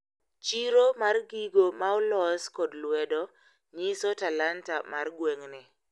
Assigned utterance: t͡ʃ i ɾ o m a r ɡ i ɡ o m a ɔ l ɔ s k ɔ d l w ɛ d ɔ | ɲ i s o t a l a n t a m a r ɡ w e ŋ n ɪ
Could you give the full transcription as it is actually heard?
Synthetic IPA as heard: t͡ʃ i ɾ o m a r ɡ i ɡ o m a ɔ l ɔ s k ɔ d l w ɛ d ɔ | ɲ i s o t a l a n t a m a r ɡ w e ŋ n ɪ